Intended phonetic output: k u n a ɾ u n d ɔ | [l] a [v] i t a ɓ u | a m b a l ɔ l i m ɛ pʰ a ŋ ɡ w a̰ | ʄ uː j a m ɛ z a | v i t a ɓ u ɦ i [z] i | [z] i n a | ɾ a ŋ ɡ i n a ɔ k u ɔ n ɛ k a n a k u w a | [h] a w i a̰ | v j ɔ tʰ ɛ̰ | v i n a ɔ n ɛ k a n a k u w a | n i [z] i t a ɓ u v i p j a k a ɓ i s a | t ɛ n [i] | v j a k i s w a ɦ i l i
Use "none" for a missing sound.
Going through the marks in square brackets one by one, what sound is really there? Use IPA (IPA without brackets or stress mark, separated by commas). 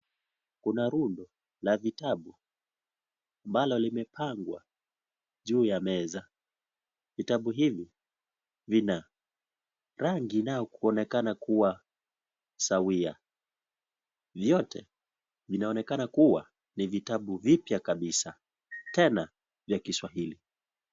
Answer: l, v, v, v, s, v, a